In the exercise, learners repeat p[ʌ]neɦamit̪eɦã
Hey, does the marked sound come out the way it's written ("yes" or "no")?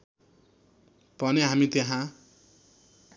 yes